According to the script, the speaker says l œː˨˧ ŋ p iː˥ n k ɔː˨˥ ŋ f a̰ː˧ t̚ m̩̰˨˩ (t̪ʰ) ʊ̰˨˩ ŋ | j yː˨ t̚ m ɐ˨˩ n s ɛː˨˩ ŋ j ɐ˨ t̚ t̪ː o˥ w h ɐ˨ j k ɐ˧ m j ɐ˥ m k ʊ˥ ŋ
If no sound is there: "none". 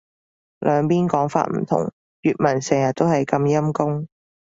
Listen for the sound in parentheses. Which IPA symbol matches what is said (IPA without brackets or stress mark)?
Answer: t̪ʰ